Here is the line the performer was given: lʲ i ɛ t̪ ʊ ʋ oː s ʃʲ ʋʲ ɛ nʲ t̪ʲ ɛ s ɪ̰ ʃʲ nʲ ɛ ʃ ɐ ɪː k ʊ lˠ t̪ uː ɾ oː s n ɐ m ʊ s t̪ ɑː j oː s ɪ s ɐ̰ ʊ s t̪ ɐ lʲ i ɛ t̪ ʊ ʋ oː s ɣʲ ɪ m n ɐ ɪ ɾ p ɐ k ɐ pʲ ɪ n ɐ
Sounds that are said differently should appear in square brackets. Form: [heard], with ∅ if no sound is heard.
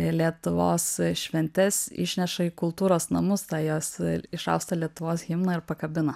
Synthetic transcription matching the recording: lʲ i ɛ t̪ ʊ ʋ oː s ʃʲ ʋʲ ɛ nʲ t̪ʲ ɛ s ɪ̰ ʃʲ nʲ ɛ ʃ ɐ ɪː k ʊ lˠ t̪ uː ɾ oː s n ɐ m ʊ s t̪ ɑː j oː s ɪ [ʃ] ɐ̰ ʊ s t̪ ɐ lʲ i ɛ t̪ ʊ ʋ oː s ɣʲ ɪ m n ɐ ɪ ɾ p ɐ k ɐ [bʲ] ɪ n ɐ